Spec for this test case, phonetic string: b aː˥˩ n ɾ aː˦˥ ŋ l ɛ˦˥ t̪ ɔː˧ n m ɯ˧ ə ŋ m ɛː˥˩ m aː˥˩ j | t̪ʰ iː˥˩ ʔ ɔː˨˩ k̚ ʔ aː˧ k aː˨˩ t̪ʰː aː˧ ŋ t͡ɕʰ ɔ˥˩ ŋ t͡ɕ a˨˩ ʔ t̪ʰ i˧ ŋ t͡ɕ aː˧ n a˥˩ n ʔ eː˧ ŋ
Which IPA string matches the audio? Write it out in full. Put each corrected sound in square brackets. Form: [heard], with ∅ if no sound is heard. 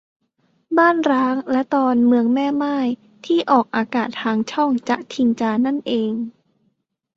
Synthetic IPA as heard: b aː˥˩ n ɾ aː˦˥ ŋ l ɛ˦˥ t̪ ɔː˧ n m ɯ˧ ə ŋ m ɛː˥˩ m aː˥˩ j | t̪ʰ iː˥˩ ʔ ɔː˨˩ k̚ ʔ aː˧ k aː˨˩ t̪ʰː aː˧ ŋ t͡ɕʰ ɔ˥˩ ŋ t͡ɕ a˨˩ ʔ t̪ʰ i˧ ŋ t͡ɕ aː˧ n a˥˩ n ʔ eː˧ ŋ